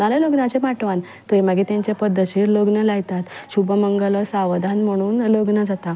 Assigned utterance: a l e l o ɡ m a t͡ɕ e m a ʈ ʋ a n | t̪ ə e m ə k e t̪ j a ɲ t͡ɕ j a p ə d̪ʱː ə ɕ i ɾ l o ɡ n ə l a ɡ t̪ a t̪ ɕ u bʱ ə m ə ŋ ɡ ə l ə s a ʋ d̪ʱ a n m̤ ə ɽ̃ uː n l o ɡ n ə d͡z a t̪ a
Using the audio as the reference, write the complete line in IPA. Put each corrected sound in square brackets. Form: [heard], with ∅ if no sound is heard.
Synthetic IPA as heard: a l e l o ɡ [n] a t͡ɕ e m a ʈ ʋ a n | t̪ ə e m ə [ɡ] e t̪ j a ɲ t͡ɕ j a p ə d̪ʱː ə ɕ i ɾ l o ɡ n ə l a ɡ t̪ a t̪ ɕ u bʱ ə m ə ŋ ɡ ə l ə s a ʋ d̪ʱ a n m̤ ə ɽ̃ uː n l o ɡ n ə d͡z a t̪ a